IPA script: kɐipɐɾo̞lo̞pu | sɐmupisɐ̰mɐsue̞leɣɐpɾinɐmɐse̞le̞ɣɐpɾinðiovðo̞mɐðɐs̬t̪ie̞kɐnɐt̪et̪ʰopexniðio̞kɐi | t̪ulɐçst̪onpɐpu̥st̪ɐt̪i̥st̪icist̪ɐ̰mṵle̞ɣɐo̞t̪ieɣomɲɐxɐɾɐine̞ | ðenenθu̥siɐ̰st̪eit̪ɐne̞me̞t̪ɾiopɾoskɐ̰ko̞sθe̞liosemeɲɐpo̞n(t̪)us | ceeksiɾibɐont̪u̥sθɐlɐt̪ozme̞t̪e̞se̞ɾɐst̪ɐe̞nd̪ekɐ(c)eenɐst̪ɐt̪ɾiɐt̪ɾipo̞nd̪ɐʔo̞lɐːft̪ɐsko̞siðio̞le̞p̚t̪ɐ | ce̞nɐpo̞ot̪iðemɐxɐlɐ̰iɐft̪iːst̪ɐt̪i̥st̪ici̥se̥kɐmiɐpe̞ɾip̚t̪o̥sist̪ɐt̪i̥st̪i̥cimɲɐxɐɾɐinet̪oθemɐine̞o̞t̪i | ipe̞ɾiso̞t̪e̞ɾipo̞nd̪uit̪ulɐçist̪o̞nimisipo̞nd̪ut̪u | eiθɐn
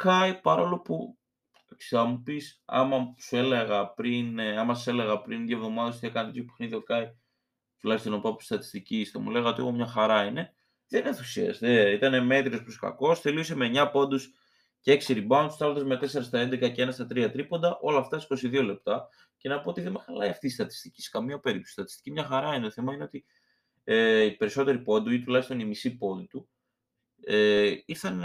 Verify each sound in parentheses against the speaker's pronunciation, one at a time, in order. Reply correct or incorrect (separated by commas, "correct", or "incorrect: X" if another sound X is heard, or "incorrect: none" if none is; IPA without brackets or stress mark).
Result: incorrect: d̪, correct